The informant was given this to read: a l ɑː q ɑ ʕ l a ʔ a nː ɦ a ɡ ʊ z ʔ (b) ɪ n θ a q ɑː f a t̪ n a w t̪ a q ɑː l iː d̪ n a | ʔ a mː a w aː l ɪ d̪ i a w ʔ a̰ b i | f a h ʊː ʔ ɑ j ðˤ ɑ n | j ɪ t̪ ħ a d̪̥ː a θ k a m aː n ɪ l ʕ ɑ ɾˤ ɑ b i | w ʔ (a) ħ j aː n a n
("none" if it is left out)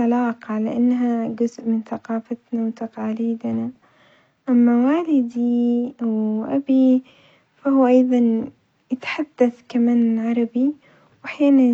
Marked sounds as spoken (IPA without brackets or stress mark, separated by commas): m, a